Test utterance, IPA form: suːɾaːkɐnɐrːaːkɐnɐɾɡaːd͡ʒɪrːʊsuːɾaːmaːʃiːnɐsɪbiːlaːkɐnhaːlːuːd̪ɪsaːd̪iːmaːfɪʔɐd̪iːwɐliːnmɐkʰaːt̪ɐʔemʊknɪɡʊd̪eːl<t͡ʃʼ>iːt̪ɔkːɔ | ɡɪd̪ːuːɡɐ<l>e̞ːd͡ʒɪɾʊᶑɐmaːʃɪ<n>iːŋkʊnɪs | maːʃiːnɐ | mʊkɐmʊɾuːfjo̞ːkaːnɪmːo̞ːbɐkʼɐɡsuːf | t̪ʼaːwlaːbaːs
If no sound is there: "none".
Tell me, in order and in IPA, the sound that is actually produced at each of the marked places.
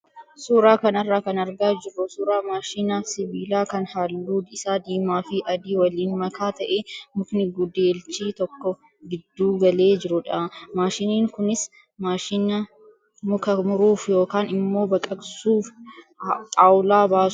t͡ʃ, l, n

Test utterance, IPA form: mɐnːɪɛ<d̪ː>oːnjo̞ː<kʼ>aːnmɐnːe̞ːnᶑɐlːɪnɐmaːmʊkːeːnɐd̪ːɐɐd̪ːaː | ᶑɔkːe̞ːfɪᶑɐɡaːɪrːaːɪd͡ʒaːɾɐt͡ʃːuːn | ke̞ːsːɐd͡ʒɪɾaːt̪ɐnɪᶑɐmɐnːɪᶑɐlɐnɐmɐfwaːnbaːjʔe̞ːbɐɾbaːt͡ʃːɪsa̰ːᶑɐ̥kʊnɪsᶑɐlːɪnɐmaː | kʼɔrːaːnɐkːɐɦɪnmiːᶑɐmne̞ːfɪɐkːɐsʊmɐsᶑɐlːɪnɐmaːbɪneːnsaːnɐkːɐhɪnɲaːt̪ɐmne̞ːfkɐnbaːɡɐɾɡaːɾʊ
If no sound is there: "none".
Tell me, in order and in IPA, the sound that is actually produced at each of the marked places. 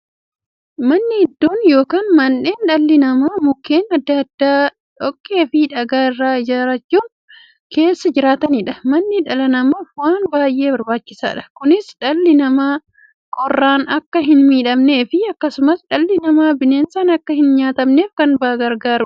d̪ː, k

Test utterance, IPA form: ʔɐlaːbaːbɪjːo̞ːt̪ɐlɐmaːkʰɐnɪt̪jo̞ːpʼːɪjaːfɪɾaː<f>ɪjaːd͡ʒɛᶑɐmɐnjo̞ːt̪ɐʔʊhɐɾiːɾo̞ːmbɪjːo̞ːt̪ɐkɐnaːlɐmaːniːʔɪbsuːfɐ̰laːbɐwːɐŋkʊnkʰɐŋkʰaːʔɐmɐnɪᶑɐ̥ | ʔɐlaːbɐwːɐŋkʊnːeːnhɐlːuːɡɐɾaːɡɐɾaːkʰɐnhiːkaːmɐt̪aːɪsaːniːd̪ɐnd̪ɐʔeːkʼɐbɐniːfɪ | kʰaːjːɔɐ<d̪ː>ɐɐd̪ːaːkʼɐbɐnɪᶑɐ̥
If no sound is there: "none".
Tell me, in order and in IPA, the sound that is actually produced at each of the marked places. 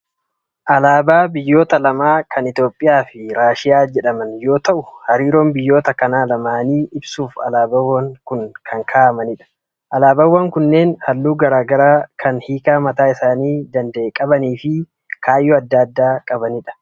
ʃ, d̪ː

